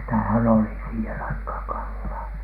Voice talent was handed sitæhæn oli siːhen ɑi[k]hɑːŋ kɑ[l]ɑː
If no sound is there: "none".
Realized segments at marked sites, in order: k, lː

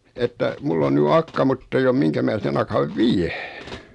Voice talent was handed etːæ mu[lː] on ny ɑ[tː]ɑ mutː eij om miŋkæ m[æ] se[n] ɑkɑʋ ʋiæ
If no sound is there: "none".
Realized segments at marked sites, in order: lː, kː, æː, n

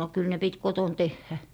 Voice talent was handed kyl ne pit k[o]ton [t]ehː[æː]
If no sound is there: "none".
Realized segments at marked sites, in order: o, t, æ

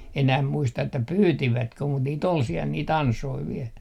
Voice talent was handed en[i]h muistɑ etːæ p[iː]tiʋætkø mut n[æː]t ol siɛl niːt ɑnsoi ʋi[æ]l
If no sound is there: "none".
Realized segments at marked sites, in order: æ, yː, iː, ɛ

